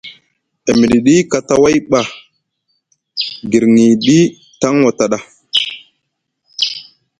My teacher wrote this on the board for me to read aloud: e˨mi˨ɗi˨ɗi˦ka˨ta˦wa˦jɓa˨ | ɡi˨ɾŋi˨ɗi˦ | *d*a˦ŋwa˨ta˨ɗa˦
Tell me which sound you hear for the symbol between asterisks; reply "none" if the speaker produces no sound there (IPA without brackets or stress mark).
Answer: t